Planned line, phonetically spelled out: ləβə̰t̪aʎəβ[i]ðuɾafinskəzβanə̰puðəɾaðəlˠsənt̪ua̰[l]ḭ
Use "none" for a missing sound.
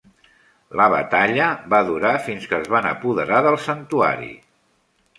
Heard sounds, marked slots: a, ɾ

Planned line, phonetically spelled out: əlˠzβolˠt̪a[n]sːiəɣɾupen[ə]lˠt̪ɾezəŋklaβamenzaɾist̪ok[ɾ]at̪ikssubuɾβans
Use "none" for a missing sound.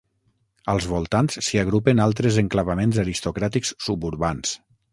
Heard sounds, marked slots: n, a, ɾ

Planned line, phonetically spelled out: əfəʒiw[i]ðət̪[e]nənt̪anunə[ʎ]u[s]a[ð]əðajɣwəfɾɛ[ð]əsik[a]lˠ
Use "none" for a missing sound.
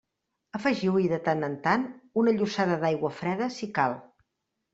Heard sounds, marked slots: i, a, ʎ, s, ð, ð, a

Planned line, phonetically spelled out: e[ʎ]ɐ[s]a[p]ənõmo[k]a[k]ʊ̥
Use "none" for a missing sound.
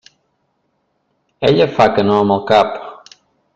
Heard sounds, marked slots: ʎ, f, k, k, p

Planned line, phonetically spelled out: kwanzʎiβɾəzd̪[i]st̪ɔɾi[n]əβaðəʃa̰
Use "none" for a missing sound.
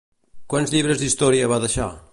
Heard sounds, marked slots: i, none

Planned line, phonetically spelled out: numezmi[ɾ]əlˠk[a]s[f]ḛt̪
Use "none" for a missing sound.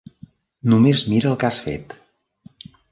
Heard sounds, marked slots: ɾ, a, f

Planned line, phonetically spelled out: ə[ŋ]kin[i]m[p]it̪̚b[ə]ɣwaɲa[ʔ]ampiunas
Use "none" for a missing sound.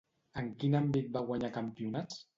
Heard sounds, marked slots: ŋ, a, b, a, k

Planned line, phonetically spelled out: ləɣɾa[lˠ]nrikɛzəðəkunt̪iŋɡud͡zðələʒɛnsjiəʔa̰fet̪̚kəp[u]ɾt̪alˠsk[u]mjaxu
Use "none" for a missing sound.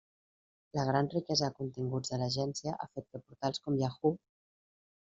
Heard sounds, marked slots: none, u, ɔ

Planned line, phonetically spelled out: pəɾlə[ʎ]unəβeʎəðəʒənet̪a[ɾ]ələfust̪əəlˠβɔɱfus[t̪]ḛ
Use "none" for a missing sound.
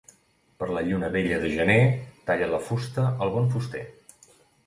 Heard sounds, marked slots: ʎ, ʎ, t̪

